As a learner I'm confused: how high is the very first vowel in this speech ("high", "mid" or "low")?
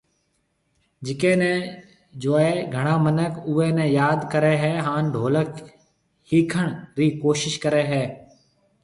high